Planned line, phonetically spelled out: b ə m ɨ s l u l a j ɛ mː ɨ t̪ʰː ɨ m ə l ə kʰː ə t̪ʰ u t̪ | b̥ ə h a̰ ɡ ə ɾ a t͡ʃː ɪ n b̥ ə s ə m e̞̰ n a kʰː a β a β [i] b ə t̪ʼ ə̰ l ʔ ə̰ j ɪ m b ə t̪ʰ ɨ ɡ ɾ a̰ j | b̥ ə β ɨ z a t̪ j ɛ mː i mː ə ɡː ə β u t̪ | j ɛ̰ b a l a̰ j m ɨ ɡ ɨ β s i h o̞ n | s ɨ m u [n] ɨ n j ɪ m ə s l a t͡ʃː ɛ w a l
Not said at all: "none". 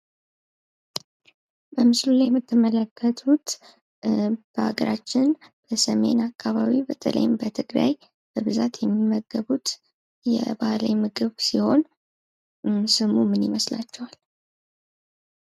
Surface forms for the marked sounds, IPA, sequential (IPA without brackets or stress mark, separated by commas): i, m